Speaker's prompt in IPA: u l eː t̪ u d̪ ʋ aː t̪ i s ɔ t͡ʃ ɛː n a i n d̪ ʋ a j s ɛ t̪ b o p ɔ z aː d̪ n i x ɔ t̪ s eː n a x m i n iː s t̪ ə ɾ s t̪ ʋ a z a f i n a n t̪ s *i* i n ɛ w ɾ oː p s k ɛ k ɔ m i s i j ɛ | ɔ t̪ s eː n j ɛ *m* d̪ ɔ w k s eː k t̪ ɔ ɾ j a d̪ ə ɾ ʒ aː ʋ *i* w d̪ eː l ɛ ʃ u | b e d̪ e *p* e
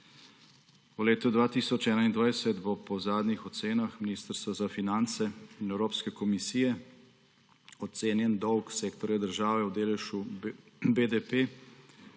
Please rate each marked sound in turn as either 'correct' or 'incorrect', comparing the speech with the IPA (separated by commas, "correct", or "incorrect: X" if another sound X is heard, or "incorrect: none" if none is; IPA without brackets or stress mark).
incorrect: ɛ, incorrect: n, incorrect: ɛ, correct